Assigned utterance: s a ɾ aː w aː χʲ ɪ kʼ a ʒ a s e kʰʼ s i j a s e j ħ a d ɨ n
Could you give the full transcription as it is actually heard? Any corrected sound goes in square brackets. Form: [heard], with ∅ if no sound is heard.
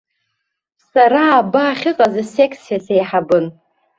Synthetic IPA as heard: s a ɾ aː [b] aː χʲ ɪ [qʼ] a [z] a s e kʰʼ s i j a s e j ħ a [b] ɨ n